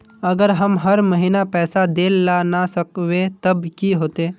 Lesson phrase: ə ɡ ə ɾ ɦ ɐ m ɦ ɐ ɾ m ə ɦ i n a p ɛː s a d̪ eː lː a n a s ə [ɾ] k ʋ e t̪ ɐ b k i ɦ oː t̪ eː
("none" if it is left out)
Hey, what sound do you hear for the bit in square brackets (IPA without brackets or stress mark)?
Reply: none